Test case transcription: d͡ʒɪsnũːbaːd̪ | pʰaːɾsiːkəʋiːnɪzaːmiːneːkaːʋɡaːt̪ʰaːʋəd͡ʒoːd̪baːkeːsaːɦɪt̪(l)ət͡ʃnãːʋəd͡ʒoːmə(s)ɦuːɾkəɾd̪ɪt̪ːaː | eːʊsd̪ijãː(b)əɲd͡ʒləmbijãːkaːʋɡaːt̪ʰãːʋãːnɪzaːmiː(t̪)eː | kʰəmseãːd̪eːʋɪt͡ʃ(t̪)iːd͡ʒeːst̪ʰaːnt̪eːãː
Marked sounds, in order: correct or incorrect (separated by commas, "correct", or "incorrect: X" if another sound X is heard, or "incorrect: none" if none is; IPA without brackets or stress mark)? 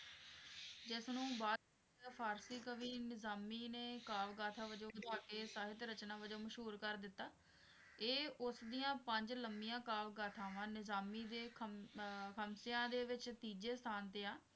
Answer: incorrect: ɾ, incorrect: ʃ, incorrect: p, incorrect: d̪, correct